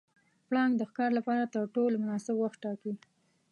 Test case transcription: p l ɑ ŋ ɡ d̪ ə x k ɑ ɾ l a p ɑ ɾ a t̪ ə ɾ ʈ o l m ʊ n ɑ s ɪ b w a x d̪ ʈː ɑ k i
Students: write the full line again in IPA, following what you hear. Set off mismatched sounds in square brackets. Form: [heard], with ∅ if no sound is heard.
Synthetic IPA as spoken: p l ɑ ŋ ɡ d̪ ə x k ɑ ɾ l a p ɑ ɾ a t̪ ə ɾ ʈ o l m ʊ n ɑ s ɪ b w a x [t̪] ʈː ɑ k i

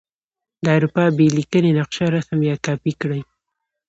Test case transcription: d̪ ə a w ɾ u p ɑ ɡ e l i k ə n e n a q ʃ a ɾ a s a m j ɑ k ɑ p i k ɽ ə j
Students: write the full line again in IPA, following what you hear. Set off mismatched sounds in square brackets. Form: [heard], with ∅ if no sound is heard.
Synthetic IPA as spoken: d̪ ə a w ɾ u p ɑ [b] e l i k ə n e n a q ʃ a ɾ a s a m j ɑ k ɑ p i k ɽ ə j

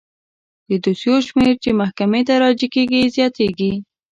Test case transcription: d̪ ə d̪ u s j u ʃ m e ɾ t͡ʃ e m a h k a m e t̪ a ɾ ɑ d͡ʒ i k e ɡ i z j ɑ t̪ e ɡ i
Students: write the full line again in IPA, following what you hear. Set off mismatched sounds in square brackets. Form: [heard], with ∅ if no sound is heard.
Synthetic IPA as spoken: d̪ ə d̪ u s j [o] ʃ m e ɾ t͡ʃ e m a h k a m e t̪ a ɾ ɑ d͡ʒ i k e ɡ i z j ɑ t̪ e ɡ i

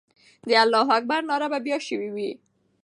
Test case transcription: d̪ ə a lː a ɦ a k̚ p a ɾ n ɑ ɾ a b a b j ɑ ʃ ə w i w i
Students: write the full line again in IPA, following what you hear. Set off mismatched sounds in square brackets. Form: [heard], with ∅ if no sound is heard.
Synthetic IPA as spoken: d̪ ə a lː [ɑ] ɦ a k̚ [b] a ɾ n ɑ ɾ a b a b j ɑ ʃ ə w i w i

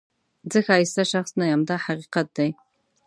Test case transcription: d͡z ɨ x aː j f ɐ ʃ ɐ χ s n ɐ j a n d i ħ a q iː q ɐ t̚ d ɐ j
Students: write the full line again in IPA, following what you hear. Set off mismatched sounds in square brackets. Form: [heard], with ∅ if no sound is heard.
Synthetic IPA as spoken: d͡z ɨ x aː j [s] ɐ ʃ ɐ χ s n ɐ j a [m] d [a] ħ a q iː q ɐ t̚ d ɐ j

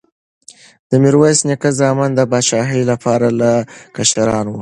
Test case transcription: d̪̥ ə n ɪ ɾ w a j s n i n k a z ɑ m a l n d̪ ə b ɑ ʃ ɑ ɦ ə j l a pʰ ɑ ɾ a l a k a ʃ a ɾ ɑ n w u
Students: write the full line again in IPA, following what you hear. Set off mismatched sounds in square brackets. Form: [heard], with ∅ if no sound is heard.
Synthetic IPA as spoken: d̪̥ ə [m] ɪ ɾ w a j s n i [∅] k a z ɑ m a [∅] n d̪ ə b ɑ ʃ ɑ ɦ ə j l a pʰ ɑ ɾ a l a k a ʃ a ɾ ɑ n w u

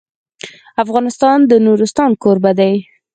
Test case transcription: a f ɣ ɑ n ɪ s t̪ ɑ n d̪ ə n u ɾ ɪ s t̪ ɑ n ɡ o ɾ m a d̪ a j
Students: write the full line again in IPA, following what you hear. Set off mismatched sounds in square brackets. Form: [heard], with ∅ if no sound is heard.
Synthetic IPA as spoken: a f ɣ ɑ n ɪ s t̪ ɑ n d̪ ə n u ɾ ɪ s t̪ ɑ n [k] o ɾ [b] a d̪ a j

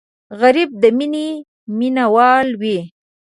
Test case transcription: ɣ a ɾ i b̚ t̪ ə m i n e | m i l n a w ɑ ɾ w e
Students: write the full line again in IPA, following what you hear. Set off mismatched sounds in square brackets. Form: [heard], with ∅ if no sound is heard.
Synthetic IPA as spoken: ɣ a ɾ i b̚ [d̪] ə m i n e | m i [∅] n a w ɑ [l] w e

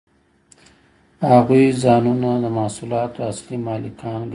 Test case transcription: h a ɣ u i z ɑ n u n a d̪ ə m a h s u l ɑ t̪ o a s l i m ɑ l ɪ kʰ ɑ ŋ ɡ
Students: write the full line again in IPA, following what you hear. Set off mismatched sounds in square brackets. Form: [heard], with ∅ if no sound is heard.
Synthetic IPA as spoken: h a ɣ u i z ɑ n u n a d̪ ə m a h s u l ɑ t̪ o a s l i m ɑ l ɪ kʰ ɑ [n] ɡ

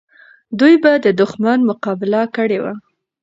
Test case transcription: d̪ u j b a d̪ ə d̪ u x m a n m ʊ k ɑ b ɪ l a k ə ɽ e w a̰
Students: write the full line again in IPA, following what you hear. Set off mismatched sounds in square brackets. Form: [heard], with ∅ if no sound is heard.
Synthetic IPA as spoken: d̪ u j b a d̪ ə d̪ [ʊ] x m a n m ʊ [q] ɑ b ɪ l a k ə ɽ e w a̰

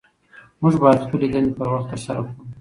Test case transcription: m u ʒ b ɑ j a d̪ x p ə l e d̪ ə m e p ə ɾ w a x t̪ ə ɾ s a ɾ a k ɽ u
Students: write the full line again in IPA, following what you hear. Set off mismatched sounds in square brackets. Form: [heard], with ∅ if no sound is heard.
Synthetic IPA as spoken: m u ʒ b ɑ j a d̪ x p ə l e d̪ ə [n] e p ə ɾ w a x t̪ ə ɾ s a ɾ a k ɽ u

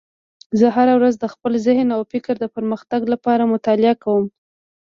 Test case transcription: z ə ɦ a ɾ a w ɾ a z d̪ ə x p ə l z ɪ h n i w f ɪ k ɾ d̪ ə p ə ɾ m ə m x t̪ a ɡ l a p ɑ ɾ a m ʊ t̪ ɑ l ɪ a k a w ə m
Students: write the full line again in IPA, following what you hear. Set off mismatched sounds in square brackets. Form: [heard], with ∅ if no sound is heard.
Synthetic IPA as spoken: z ə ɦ a ɾ a w ɾ a z d̪ ə x p ə l z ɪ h n [a] w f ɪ k ɾ d̪ ə p ə ɾ m ə [∅] x t̪ a ɡ l a p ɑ ɾ a m ʊ t̪ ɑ l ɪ a k a w ə m

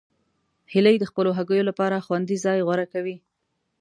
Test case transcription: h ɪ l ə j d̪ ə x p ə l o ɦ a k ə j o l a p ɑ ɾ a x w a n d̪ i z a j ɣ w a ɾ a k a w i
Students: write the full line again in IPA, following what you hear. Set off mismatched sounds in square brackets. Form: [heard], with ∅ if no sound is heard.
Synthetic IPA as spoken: h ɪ l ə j d̪ ə x p ə l o ɦ a [ɡ] ə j o l a p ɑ ɾ a x w a n d̪ i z [ɑ] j ɣ w a ɾ a k a w i

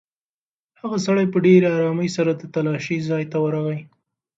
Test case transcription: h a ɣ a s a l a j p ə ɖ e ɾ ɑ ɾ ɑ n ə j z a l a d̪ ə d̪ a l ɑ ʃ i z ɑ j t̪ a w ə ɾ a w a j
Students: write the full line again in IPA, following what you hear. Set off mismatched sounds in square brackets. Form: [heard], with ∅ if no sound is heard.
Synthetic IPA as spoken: h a ɣ a s a [ɽ] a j p ə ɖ e ɾ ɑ ɾ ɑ [m] ə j [s] a [ɾ] a d̪ ə [t̪] a l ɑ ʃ i z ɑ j t̪ a w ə ɾ a [ɣ] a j

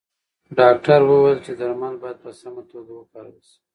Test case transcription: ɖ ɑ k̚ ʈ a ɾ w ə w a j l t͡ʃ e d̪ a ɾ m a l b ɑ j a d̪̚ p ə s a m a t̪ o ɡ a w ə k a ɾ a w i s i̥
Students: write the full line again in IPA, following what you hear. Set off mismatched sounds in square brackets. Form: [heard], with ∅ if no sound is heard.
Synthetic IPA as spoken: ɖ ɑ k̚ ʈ a ɾ w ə w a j l t͡ʃ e d̪ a ɾ m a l b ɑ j a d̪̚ p ə s a m a t̪ o ɡ a w ə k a ɾ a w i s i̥

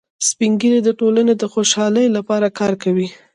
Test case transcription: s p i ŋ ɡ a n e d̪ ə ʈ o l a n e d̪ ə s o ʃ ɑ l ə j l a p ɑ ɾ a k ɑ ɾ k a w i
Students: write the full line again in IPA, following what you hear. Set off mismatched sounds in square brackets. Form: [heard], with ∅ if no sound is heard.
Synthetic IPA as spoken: s p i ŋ ɡ [i] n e d̪ ə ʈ o l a n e d̪ ə [x] o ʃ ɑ l ə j l a p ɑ ɾ a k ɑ ɾ k a w i

